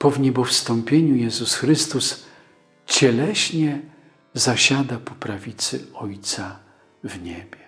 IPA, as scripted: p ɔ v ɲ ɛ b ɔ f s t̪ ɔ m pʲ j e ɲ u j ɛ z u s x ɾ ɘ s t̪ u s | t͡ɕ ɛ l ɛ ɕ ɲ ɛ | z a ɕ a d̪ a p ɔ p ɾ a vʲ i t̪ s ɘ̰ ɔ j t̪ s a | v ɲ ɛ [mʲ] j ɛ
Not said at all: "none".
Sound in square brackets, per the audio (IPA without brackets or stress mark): bʲ